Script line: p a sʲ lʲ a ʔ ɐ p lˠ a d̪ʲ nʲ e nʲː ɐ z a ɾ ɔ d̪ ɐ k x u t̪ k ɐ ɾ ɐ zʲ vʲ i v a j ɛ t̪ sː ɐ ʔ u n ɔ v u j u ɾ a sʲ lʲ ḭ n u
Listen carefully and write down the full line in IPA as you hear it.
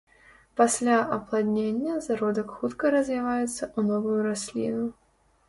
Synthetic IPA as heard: p a sʲ lʲ a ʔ ɐ p lˠ a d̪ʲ nʲ e nʲː ɐ z a ɾ ɔ d̪ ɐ k x u t̪ k ɐ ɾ ɐ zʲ vʲ i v a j ɛ t̪ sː ɐ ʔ u n ɔ v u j u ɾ a sʲ lʲ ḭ n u